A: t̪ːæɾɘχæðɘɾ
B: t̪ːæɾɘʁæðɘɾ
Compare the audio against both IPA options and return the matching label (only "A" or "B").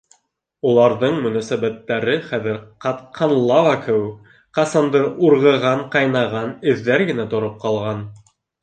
A